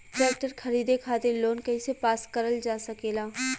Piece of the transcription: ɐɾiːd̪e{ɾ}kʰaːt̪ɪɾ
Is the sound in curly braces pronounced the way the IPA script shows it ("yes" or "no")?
no